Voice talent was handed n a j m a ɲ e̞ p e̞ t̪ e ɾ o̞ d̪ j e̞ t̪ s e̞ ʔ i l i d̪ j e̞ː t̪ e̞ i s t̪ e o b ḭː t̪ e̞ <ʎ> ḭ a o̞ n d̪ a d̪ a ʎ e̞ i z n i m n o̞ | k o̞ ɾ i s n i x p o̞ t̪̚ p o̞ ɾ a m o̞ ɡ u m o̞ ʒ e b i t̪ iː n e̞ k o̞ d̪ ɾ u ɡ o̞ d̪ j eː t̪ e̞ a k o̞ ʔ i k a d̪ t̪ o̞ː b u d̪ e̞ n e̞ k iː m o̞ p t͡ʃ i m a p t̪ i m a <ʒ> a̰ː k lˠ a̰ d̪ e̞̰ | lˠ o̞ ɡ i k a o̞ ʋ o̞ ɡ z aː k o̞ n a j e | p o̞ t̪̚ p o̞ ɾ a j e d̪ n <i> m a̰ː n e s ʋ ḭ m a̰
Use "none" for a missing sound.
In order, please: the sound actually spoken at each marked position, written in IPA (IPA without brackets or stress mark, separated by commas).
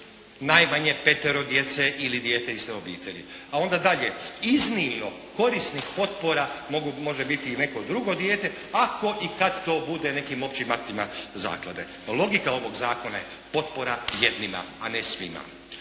ʎ, z, i